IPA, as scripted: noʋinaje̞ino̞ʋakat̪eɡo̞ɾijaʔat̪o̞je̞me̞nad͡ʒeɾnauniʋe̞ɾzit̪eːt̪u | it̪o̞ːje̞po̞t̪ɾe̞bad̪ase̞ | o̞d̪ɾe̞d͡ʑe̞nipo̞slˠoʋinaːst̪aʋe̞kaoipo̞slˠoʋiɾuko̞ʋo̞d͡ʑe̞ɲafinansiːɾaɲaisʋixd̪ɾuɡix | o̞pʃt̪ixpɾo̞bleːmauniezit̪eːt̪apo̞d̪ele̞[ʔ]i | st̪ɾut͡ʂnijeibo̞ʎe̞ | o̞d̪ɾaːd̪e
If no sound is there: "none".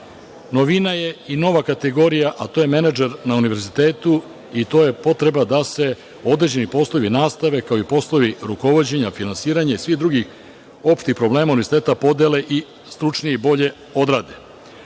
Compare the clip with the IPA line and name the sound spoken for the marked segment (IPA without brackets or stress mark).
ʔ